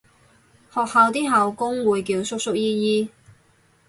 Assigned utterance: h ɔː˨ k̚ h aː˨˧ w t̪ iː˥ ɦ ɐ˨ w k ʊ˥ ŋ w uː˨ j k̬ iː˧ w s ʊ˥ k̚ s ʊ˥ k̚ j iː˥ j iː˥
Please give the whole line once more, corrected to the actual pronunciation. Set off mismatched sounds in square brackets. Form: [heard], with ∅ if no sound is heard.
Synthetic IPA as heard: h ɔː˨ k̚ h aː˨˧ w t̪ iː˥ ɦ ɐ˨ w k ʊ˥ ŋ w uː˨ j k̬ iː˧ w s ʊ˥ k̚ s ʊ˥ k̚ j iː˥ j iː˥